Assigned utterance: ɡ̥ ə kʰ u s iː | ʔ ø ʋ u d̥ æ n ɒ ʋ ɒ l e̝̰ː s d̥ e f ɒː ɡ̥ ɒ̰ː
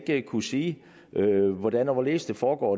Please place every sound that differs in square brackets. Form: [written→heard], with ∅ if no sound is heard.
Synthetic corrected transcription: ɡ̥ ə kʰ u s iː | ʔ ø ʋ [u→ɒ] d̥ æ n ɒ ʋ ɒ l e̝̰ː s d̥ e f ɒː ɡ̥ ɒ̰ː